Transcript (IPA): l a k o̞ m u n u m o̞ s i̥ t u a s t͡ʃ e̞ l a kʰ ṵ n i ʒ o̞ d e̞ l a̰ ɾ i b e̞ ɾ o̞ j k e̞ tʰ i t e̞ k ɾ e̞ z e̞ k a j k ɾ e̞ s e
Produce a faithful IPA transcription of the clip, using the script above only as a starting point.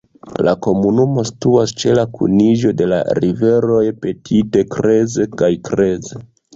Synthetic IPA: l a k o̞ m u n u m o̞ s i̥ t u a s t͡ʃ e̞ l a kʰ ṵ n i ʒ o̞ d e̞ l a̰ ɾ i v e̞ ɾ o̞ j p e̞ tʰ i t e̞ k ɾ e̞ z e̞ k a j k ɾ e̞ z e